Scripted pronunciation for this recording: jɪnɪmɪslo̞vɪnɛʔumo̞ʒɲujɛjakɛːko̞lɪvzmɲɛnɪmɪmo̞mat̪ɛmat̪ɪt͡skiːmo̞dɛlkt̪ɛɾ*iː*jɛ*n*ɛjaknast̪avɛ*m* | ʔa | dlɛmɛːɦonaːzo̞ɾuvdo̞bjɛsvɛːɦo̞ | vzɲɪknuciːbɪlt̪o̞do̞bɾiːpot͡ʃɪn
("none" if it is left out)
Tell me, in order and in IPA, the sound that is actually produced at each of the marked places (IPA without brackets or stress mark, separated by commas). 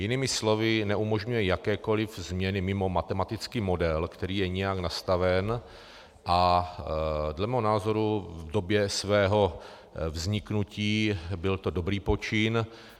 iː, ɲ, n